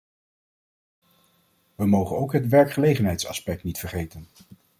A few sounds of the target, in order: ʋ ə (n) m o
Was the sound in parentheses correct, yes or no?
no